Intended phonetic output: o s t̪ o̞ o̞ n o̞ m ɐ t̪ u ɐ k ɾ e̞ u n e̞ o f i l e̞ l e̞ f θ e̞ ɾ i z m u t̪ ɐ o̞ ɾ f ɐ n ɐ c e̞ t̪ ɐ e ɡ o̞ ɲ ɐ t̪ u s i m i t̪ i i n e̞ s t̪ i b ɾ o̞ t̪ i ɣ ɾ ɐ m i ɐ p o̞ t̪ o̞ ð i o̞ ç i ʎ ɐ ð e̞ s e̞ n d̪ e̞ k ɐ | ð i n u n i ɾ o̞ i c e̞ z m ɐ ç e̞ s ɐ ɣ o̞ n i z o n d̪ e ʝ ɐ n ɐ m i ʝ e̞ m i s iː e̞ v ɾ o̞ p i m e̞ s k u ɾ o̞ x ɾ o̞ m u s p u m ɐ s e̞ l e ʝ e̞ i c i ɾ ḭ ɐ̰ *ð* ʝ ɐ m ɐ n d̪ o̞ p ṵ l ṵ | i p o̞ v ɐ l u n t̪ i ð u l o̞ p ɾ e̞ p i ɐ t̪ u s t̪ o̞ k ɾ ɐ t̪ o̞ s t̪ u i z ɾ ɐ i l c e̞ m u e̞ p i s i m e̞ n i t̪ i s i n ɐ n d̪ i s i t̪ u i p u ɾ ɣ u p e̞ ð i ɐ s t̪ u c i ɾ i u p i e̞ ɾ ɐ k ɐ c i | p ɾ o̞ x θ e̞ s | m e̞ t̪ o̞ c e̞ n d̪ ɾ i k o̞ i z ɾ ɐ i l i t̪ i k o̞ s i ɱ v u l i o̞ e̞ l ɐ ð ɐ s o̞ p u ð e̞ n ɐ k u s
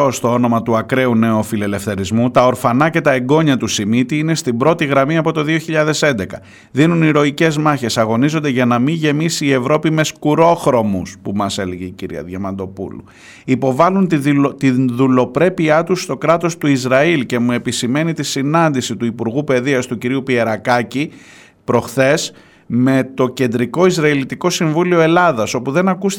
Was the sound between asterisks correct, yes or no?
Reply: yes